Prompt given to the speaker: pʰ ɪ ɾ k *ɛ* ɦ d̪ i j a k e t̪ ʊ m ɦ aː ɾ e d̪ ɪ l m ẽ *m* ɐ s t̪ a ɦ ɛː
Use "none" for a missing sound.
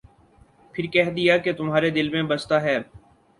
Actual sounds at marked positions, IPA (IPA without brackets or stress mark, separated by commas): ɛ, b